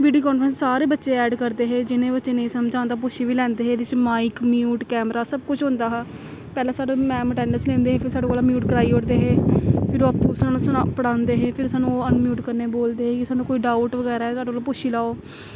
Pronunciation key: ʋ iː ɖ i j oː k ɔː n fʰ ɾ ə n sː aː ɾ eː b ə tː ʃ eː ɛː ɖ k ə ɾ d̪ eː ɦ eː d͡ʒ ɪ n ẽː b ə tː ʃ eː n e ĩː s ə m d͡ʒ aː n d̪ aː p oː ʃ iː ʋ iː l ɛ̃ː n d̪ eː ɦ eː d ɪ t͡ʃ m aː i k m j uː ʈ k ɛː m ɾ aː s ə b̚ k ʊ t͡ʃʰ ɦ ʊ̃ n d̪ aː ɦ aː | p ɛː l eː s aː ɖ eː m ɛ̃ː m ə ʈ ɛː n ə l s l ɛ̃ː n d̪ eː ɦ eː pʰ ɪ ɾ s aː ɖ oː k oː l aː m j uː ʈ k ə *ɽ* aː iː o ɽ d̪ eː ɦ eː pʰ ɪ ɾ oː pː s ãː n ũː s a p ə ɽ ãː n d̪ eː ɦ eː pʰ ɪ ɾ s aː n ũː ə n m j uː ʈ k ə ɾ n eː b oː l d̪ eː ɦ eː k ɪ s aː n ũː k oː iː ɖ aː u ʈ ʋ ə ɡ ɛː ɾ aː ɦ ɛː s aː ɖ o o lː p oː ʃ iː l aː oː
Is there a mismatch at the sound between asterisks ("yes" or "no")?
yes